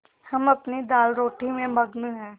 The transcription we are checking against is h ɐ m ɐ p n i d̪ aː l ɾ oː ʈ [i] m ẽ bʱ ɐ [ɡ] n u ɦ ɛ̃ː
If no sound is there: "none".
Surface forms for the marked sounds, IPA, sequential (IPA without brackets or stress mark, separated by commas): i, ɡ